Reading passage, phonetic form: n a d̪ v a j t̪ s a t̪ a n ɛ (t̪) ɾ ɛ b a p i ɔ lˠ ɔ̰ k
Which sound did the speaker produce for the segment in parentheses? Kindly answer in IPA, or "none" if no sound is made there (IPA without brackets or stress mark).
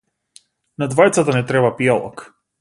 t̪